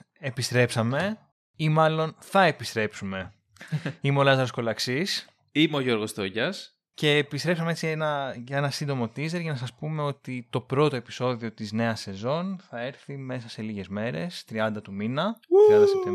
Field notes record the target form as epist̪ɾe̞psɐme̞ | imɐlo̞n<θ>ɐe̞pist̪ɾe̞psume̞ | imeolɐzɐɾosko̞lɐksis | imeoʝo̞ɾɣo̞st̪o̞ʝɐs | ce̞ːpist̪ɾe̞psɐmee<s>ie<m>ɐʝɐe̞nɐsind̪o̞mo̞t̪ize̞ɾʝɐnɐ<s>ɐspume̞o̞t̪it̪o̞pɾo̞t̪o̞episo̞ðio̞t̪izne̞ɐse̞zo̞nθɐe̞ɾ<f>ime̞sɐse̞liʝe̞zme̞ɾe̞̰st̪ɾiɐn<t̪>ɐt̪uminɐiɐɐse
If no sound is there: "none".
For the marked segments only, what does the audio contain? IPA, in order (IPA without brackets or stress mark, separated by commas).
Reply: θ, t͡s, n, s, θ, d̪